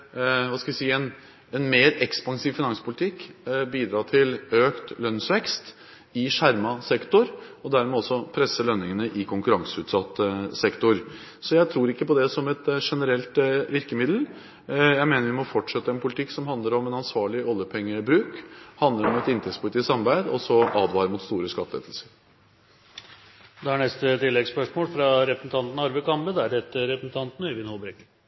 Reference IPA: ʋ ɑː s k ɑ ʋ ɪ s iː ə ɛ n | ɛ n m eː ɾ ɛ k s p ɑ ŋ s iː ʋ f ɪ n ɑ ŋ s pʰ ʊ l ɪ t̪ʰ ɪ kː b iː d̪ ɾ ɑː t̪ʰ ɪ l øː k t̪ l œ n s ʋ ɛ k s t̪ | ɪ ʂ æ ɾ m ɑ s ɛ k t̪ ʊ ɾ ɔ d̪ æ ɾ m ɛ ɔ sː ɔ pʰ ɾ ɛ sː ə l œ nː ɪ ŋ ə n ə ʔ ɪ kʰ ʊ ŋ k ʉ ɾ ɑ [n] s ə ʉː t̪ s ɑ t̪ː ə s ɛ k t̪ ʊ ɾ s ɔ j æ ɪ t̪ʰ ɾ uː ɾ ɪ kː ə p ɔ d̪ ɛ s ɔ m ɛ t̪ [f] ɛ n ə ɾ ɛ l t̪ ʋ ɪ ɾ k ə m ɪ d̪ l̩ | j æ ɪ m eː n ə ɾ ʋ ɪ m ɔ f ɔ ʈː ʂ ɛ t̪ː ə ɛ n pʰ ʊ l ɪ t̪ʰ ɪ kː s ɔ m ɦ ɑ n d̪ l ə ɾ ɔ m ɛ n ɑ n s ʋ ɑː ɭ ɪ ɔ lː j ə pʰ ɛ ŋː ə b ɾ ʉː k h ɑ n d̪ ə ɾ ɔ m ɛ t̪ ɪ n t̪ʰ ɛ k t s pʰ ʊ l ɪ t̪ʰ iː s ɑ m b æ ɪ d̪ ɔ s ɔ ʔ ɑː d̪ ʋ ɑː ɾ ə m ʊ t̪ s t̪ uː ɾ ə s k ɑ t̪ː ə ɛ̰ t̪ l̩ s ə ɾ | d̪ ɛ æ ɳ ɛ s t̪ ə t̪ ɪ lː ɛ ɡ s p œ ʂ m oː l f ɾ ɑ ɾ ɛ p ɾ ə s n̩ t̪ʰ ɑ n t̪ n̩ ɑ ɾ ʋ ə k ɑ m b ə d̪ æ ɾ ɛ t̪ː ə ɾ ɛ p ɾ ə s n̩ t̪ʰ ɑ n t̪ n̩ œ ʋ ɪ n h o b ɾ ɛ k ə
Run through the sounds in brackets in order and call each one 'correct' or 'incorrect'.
incorrect, incorrect

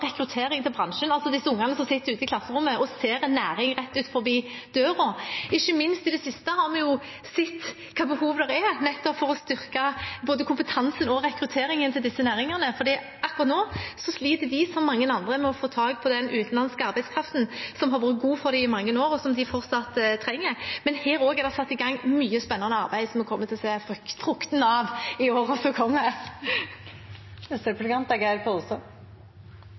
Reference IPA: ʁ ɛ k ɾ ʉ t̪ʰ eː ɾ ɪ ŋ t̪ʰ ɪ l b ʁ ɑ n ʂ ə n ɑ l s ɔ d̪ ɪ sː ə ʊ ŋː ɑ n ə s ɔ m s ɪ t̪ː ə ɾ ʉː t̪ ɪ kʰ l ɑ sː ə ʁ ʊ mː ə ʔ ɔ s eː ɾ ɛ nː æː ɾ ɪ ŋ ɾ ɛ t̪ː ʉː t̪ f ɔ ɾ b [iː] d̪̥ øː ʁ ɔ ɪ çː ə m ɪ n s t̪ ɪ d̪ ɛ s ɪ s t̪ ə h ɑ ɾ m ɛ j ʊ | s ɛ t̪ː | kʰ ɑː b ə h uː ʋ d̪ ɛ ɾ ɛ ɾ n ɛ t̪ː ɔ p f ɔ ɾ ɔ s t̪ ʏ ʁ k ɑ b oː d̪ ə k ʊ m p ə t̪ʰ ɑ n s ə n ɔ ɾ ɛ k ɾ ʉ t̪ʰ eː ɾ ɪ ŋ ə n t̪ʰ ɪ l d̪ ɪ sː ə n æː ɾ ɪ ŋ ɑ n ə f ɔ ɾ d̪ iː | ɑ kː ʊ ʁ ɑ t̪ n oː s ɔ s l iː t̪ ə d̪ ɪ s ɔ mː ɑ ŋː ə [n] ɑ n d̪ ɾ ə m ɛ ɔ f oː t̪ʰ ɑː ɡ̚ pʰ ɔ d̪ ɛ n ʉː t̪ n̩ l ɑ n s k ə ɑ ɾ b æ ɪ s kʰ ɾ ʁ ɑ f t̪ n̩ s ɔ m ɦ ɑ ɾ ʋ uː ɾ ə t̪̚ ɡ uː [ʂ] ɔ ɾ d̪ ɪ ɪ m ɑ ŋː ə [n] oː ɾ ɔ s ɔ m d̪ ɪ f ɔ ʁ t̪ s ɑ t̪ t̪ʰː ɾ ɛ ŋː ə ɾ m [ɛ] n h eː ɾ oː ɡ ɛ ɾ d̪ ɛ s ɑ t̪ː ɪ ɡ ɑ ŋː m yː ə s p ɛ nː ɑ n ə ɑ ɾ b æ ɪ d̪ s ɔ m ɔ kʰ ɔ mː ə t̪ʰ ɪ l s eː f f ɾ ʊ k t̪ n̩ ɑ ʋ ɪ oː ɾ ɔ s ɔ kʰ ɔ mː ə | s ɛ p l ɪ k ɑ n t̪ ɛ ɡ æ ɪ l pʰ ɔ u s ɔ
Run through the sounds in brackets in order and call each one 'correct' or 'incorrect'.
correct, correct, incorrect, correct, correct

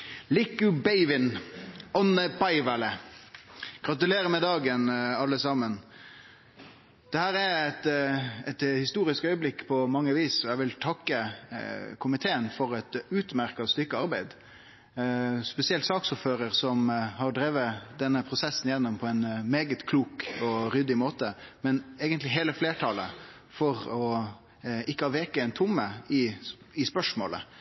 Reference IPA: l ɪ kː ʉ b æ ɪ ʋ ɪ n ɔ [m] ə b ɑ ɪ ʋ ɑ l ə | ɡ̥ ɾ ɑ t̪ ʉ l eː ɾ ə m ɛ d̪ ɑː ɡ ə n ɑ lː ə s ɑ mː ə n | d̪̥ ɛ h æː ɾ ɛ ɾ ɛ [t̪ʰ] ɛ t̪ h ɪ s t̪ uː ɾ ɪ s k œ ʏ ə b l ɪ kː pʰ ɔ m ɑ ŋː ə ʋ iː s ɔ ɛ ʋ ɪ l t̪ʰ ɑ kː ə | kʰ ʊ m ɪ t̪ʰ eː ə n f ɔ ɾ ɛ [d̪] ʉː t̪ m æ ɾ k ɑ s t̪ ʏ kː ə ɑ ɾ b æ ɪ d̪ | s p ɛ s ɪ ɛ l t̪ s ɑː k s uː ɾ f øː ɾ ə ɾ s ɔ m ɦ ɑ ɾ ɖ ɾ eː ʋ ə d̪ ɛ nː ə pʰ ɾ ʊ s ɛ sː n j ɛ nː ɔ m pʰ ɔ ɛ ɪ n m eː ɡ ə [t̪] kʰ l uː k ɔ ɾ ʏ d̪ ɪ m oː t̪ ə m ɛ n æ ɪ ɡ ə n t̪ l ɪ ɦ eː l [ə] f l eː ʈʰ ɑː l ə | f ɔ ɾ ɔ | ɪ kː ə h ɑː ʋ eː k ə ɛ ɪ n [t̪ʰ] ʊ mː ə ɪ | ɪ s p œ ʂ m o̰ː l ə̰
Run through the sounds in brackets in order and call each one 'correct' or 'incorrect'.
incorrect, incorrect, incorrect, correct, correct, correct

